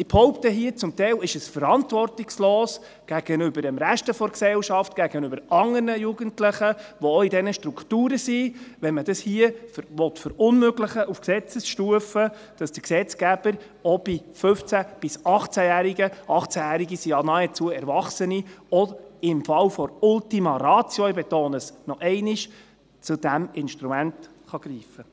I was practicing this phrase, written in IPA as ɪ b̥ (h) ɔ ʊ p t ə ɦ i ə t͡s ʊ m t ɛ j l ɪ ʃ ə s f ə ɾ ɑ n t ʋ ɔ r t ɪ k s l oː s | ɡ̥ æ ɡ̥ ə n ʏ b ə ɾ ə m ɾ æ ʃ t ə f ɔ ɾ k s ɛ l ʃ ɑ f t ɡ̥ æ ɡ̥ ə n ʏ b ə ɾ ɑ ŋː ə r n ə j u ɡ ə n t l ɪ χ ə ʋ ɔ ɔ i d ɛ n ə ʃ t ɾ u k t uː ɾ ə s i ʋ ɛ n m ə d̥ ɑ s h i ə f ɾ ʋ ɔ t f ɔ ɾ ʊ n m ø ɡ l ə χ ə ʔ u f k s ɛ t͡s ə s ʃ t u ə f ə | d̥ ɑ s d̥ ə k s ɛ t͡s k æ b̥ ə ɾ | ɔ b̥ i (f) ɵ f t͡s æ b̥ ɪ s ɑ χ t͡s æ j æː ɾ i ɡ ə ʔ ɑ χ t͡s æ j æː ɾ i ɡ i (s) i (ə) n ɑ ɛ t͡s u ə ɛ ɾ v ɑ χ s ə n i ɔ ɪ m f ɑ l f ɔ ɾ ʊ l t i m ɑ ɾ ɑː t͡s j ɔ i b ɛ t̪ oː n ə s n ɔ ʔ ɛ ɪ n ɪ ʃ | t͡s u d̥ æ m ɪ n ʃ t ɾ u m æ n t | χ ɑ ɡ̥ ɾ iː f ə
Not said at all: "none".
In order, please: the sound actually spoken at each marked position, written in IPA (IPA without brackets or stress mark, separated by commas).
h, f, s, ɑ